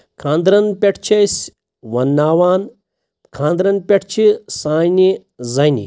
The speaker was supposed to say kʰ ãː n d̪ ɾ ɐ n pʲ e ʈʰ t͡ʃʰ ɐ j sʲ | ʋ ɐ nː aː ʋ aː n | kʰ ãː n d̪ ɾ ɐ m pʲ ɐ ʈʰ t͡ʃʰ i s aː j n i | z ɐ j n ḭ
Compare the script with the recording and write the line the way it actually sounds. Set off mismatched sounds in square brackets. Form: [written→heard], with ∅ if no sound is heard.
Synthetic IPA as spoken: kʰ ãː n d̪ ɾ ɐ n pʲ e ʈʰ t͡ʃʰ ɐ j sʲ | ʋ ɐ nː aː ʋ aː n | kʰ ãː n d̪ ɾ ɐ [m→n] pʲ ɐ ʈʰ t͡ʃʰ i s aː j n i | z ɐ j n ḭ

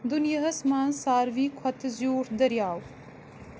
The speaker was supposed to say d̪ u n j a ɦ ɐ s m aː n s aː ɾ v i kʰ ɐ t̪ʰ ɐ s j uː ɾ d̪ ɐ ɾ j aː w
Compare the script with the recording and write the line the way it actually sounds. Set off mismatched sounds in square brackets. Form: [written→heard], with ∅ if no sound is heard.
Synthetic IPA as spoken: d̪ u n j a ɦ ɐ s m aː n s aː ɾ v i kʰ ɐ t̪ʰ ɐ [s→z] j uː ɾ d̪ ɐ ɾ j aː w

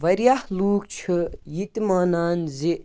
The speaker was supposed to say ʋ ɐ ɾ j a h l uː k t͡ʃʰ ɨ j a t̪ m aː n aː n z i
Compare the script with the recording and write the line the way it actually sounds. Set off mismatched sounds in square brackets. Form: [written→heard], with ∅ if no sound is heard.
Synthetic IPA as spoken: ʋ ɐ ɾ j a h l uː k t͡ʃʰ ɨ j [a→i] t̪ m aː n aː n z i

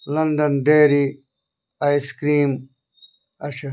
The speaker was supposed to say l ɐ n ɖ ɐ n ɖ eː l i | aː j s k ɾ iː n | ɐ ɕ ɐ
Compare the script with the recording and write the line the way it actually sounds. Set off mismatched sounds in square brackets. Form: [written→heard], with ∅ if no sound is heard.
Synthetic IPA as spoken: l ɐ n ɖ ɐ n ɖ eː [l→ɾ] i | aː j s k ɾ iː [n→m] | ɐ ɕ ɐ

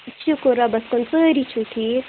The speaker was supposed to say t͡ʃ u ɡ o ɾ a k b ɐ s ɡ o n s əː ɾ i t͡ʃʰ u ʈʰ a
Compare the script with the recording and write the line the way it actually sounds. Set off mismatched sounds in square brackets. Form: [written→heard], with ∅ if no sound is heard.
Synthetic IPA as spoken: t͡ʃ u [ɡ→k] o ɾ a [k→∅] b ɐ s [ɡ→k] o n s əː ɾ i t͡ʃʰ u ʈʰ [a→i]

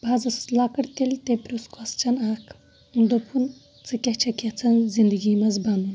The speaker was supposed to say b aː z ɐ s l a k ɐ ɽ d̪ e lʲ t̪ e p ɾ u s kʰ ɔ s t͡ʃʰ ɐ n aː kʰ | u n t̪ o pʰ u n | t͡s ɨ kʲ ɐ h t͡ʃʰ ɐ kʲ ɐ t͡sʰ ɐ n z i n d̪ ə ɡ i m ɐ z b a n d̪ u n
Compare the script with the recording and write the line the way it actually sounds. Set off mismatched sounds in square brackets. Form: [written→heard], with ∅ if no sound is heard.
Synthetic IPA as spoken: b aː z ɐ s l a k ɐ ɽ [d̪→t̪] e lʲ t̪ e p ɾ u s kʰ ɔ s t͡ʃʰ ɐ n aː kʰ | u n [t̪→d̪] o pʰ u n | t͡s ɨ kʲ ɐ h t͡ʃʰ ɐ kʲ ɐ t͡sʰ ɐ n z i n d̪ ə ɡ i m ɐ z b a n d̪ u n

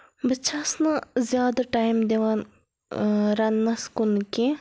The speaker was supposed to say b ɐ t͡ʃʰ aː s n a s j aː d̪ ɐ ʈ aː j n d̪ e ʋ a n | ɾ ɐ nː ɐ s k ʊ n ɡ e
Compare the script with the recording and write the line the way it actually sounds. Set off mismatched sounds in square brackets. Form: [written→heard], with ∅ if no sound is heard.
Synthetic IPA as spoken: b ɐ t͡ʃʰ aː s n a [s→z] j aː d̪ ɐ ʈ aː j [n→m] d̪ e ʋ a n | ɾ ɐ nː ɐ s k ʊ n [ɡ→k] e

